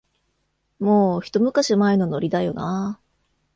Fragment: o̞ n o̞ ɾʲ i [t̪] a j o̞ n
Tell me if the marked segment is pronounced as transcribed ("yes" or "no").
no